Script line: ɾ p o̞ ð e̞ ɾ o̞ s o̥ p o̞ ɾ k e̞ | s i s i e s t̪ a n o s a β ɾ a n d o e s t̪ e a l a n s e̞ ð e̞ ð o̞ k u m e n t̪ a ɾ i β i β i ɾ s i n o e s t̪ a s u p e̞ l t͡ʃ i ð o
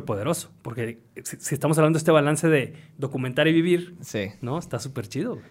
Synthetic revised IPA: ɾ p o̞ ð e̞ ɾ o̞ s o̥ p o̞ ɾ k e̞ | s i s i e s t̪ a m o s a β l a n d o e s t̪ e a l a n s e̞ ð e̞ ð o̞ k u m e n t̪ a ɾ i β i β i ɾ s i n o e s t̪ a s u p e̞ ɾ t͡ʃ i ð o